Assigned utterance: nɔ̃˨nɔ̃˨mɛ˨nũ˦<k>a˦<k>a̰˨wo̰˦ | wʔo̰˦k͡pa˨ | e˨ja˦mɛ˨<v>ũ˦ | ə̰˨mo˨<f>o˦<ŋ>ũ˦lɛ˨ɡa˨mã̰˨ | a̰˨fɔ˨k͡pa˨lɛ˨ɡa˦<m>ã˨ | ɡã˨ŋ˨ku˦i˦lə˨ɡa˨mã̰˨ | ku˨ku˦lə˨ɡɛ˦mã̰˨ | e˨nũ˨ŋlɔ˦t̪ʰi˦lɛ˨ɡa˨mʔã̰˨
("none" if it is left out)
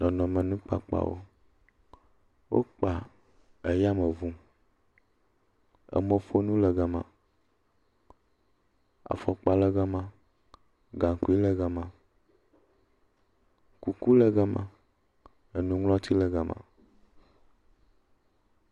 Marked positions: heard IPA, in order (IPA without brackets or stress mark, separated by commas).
k͡p, k͡p, v, f, n, m